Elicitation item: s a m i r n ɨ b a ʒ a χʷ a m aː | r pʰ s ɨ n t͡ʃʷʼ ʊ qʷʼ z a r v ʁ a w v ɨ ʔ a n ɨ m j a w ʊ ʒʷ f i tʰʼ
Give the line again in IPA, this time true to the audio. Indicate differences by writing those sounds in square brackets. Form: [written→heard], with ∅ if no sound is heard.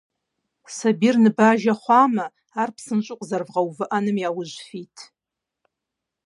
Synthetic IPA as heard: s a [m→b] i r n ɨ b a ʒ a χʷ a m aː | r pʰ s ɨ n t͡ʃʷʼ ʊ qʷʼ z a r v ʁ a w v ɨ ʔ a n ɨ m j a w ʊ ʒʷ f i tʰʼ